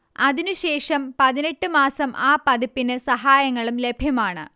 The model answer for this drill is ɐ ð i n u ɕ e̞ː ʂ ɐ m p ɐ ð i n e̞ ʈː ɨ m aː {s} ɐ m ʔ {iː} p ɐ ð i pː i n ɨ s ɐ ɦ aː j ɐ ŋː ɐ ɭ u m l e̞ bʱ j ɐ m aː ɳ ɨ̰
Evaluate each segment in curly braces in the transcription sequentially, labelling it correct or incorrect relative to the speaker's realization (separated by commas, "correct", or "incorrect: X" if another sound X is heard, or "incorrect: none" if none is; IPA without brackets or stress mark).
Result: correct, incorrect: aː